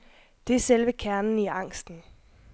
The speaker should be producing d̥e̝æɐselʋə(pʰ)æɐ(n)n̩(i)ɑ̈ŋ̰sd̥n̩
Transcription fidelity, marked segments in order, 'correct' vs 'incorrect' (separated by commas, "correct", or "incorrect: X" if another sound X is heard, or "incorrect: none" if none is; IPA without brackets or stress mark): incorrect: kʰ, correct, correct